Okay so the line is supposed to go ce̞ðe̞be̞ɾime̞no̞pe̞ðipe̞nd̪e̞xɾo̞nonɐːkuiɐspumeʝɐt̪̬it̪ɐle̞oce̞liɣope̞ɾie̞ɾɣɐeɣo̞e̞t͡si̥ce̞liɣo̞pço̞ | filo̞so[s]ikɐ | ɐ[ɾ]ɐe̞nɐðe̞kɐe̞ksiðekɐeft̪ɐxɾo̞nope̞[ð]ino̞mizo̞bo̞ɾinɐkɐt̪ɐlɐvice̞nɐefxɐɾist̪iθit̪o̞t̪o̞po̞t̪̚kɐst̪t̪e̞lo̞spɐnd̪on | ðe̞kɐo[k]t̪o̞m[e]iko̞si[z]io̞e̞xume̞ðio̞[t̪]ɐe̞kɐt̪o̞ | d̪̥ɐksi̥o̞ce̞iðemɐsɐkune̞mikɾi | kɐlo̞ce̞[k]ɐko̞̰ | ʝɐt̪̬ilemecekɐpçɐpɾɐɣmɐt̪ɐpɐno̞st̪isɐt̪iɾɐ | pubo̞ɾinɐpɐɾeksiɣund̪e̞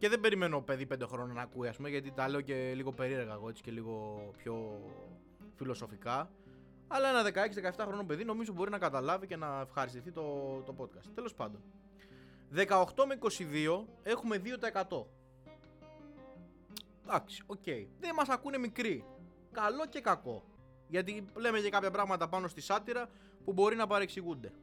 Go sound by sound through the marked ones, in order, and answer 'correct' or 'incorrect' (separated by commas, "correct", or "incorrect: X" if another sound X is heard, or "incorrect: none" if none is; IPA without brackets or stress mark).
incorrect: f, incorrect: l, correct, incorrect: x, correct, incorrect: ð, correct, correct